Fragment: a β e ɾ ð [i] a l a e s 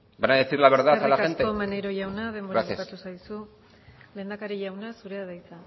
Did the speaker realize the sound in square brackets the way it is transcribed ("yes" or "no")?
no